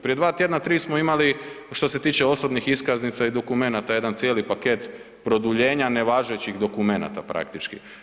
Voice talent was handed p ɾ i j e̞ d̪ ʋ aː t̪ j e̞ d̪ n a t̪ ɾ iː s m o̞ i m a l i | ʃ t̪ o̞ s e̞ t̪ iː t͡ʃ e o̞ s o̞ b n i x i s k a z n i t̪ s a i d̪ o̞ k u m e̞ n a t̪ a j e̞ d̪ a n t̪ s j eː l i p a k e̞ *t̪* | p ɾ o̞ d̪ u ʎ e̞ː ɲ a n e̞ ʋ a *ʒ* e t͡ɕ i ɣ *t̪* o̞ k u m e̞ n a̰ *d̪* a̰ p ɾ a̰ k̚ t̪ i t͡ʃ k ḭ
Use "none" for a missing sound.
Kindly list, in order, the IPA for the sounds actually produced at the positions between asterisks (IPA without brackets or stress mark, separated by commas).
t̪, ʒ, d̪, t̪